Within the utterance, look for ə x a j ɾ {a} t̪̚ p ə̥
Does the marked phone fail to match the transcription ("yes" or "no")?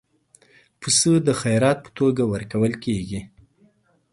yes